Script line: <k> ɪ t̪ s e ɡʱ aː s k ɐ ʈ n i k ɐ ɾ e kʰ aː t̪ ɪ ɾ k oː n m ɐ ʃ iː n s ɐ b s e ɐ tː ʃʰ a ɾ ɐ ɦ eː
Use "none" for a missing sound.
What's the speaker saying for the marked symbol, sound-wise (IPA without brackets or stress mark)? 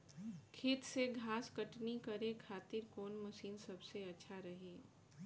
kʰ